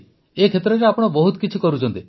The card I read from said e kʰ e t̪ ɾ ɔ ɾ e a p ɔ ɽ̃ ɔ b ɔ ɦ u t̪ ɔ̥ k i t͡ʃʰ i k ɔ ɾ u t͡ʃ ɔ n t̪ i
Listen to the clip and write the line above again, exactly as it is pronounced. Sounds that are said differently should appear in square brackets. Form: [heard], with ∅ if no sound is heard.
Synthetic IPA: e kʰ e t̪ ɾ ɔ ɾ e a p ɔ ɽ̃ ɔ b ɔ ɦ u t̪ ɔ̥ k i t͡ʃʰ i k ɔ ɾ u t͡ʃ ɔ n t̪ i